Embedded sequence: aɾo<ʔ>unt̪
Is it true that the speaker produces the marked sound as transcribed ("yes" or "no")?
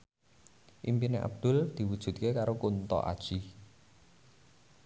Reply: no